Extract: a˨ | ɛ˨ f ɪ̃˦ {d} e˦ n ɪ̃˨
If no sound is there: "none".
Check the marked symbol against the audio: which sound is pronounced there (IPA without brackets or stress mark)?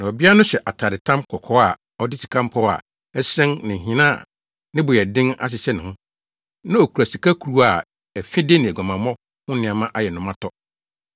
d